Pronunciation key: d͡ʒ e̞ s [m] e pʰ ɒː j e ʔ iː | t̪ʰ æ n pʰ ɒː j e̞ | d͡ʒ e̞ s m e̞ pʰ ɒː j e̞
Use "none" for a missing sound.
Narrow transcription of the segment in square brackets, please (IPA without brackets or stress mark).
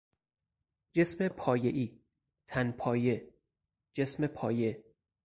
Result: m